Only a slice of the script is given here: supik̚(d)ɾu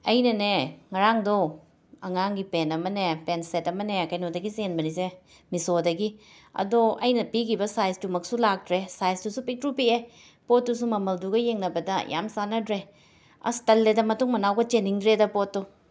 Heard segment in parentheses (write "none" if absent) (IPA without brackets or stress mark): t